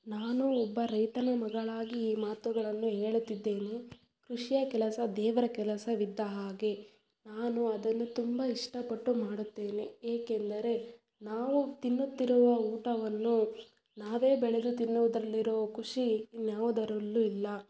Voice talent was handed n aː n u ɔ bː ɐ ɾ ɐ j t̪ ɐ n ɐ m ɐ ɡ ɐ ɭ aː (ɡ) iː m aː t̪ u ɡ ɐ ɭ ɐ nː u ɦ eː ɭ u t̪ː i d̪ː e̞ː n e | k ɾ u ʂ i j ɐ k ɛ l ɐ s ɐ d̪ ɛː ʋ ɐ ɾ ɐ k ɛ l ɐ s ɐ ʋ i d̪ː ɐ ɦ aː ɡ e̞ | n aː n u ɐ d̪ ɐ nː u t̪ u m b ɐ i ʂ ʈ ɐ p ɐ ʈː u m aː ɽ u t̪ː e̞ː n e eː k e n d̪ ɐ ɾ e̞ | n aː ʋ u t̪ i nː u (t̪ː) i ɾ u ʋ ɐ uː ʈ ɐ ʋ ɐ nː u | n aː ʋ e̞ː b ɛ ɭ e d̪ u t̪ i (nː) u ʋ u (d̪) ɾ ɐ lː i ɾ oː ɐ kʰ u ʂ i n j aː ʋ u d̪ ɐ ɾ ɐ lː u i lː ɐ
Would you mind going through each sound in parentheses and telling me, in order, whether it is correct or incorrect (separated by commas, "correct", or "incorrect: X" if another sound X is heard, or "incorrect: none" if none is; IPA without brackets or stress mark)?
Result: correct, correct, correct, correct